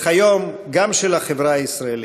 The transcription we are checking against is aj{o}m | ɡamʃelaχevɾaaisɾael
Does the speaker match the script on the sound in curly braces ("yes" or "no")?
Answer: yes